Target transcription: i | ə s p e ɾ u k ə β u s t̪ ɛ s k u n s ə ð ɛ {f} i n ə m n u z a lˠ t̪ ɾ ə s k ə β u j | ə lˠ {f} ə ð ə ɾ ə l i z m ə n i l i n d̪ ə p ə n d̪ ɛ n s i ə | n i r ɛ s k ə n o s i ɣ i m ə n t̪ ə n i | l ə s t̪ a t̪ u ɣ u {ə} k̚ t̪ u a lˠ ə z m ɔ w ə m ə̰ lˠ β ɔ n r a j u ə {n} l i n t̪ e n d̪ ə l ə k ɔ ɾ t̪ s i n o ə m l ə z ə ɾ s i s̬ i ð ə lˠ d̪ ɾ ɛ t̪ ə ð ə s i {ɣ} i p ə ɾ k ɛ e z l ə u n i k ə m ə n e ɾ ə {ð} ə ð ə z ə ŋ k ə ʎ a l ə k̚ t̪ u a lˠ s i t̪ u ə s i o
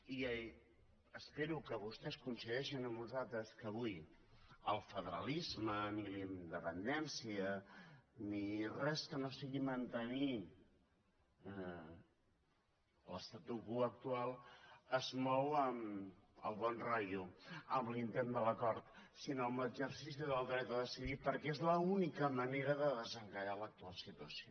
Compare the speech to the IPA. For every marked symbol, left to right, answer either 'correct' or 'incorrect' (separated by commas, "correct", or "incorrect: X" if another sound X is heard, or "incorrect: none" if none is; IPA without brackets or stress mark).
incorrect: ʃ, correct, correct, incorrect: m, incorrect: ð, correct